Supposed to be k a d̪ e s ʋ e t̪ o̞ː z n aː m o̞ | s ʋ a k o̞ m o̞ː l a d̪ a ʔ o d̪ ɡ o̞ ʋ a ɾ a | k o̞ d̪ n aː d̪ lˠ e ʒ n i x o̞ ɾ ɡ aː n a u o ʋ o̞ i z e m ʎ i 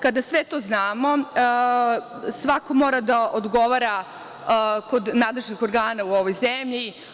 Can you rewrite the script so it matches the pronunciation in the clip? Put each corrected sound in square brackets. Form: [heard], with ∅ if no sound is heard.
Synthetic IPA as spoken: k a d̪ [a] s ʋ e t̪ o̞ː z n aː m o̞ | s ʋ a k o̞ m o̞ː [ɾ] a d̪ a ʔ o d̪ ɡ o̞ ʋ a ɾ a | k o̞ d̪ n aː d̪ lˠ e ʒ n i x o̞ ɾ ɡ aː n a u o ʋ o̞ [j] z e m ʎ i